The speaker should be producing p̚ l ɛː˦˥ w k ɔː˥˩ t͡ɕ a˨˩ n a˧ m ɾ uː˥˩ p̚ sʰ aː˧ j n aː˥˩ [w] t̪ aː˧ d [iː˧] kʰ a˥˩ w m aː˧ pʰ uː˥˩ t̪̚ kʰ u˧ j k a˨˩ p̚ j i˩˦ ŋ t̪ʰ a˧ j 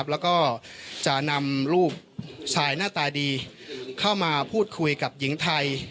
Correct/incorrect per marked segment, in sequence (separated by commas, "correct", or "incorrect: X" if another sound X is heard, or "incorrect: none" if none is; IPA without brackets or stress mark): incorrect: none, correct